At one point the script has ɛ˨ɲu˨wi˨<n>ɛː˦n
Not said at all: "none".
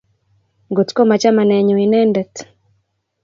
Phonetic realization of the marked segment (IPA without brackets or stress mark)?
n